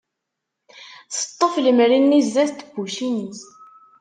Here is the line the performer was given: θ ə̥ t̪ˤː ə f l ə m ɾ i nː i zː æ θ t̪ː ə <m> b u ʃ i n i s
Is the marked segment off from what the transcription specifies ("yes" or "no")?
yes